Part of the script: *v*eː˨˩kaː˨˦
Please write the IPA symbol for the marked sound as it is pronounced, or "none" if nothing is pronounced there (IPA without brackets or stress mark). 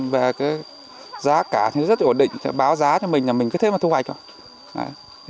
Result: v